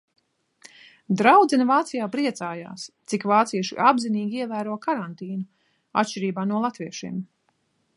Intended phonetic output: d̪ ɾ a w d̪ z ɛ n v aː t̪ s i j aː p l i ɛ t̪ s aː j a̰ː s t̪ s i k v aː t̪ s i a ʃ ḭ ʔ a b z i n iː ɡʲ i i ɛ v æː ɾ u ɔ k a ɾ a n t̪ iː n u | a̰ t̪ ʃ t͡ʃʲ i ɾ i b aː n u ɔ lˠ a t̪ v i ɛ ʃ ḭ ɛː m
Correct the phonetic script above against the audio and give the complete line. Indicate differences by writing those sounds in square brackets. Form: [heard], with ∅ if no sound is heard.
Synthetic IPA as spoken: d̪ ɾ a w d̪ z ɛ n v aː t̪ s i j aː p [ɾ] i ɛ t̪ s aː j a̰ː s t̪ s i k v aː t̪ s i [ɛ] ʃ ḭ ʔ a b z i n iː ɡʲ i i ɛ v æː ɾ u ɔ k a ɾ a n t̪ iː n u | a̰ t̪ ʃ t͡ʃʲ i ɾ [iː] b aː n u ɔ lˠ a t̪ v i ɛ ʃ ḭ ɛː m